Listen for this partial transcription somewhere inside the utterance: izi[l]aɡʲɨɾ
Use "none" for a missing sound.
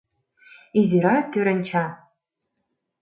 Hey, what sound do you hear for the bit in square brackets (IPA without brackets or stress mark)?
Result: ɾ